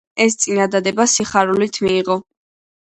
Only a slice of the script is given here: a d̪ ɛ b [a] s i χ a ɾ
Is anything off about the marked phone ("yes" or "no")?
no